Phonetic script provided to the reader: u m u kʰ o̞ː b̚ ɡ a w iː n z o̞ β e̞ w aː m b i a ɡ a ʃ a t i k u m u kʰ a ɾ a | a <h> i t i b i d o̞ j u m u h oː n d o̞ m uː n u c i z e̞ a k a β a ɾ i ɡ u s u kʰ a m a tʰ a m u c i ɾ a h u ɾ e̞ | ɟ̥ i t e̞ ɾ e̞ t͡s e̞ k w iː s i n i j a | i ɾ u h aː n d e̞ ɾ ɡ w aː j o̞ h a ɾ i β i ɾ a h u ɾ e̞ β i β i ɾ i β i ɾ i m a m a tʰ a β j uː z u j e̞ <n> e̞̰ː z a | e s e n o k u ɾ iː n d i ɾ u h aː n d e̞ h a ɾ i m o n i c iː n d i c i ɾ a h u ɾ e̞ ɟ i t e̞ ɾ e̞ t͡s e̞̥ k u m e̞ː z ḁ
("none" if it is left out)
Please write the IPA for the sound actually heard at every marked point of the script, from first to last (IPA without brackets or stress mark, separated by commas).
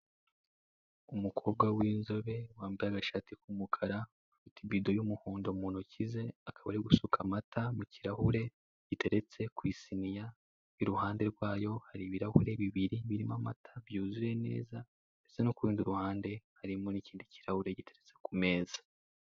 f, n